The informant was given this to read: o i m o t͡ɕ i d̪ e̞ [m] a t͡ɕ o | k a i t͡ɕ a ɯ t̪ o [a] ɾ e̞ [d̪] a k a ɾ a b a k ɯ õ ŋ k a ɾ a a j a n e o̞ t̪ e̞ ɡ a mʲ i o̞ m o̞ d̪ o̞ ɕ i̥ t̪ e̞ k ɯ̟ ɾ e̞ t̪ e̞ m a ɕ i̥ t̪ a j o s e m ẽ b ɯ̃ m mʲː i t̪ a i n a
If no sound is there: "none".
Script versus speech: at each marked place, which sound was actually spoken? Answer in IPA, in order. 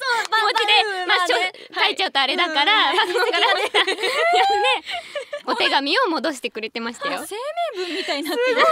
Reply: m, a, d̪

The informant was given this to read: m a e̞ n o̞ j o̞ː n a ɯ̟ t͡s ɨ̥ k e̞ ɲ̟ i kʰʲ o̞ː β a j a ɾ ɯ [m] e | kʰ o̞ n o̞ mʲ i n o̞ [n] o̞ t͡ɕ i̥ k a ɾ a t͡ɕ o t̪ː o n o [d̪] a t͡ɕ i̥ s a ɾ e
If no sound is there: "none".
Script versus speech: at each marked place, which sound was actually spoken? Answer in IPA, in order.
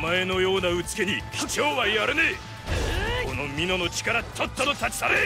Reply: n, n, t̪

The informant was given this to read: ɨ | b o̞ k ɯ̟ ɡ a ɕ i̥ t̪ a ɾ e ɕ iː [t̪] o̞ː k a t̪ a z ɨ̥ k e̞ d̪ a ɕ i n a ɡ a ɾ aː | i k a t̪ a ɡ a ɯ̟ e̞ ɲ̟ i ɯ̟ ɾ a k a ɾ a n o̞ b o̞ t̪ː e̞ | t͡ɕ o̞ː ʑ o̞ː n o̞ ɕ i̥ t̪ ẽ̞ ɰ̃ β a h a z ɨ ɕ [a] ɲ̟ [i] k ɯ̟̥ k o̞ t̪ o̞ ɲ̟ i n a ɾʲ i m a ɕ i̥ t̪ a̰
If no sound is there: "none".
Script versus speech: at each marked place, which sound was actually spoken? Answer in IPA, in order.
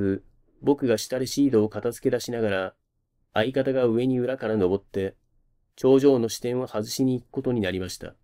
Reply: d̪, i, iː

